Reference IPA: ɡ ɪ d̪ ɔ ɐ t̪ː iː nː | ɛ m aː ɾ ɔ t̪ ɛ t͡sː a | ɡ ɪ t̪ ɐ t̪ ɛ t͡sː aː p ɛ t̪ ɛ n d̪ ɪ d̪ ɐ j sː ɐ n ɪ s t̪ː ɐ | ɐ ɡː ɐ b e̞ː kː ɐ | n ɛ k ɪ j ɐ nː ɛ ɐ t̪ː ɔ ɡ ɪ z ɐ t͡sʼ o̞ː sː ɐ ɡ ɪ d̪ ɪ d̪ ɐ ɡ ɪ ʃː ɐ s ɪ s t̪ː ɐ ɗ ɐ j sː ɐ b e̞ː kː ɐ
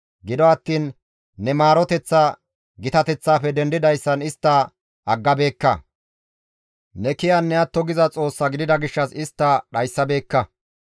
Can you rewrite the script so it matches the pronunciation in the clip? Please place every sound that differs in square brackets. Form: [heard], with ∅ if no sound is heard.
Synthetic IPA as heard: ɡ ɪ d̪ ɔ ɐ t̪ː iː nː | ɛ m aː ɾ ɔ t̪ ɛ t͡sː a | ɡ ɪ t̪ ɐ t̪ ɛ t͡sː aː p ɛ [d̪] ɛ n d̪ ɪ d̪ ɐ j sː ɐ n ɪ s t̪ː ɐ | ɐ ɡː ɐ b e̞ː kː ɐ | n ɛ k ɪ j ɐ nː ɛ ɐ t̪ː ɔ ɡ ɪ z ɐ t͡sʼ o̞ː sː ɐ ɡ ɪ d̪ ɪ d̪ ɐ ɡ ɪ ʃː ɐ s ɪ s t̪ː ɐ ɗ ɐ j sː ɐ b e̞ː kː ɐ